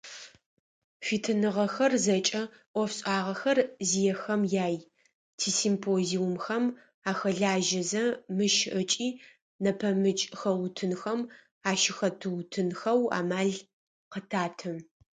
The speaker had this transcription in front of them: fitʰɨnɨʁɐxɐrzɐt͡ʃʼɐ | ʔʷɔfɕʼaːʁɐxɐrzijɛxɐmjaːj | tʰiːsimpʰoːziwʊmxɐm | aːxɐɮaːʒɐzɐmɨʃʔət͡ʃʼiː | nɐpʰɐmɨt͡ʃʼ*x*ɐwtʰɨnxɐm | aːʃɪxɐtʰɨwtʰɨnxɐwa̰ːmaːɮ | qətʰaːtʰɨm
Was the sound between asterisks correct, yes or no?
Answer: yes